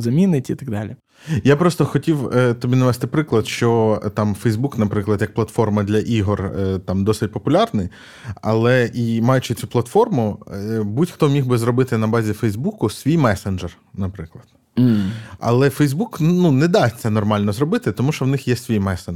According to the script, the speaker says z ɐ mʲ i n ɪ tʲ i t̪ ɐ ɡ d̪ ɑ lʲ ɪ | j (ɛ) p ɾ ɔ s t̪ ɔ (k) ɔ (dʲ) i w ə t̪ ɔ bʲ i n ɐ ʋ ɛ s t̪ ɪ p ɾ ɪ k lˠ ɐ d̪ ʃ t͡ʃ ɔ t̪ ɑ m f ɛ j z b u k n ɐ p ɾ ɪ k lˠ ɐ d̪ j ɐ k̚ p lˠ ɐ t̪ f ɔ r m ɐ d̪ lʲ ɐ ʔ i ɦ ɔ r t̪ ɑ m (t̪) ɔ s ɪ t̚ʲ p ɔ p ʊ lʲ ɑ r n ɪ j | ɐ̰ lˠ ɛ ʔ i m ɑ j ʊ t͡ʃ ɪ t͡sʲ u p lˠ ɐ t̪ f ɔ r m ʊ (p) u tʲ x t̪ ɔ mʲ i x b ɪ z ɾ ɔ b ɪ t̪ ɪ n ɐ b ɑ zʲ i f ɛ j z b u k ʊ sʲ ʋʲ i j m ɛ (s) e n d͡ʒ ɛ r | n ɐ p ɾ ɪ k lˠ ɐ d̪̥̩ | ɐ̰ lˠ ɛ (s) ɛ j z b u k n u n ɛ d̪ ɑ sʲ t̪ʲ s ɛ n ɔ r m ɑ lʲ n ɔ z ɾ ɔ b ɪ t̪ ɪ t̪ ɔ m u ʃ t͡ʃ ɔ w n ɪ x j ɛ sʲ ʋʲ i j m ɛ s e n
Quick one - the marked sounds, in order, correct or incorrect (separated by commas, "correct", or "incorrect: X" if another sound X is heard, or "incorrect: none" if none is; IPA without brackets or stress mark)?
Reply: incorrect: a, incorrect: x, incorrect: tʲ, incorrect: d̪, incorrect: b, correct, incorrect: f